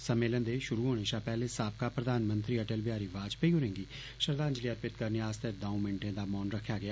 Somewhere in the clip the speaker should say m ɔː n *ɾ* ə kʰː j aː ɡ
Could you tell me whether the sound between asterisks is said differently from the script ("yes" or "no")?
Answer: no